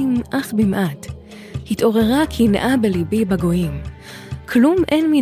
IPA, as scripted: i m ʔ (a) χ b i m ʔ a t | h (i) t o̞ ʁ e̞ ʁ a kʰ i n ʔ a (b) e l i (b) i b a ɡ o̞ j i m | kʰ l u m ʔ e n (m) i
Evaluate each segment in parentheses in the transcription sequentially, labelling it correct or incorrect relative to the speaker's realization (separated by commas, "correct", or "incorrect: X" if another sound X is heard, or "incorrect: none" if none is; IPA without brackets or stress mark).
correct, correct, correct, correct, correct